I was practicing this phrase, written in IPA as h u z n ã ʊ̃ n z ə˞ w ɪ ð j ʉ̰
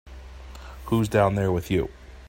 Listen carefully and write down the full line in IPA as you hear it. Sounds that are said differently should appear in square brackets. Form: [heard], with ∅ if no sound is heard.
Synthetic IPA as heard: h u z [d] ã ʊ̃ n [ð] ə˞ w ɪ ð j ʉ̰